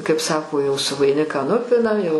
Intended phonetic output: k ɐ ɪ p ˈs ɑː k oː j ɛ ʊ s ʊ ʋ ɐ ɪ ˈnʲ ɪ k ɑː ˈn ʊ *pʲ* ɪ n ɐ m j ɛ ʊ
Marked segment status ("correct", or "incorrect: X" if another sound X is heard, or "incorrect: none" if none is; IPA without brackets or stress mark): correct